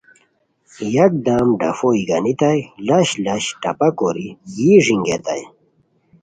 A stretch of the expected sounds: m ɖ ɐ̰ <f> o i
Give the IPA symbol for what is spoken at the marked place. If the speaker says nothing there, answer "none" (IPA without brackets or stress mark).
f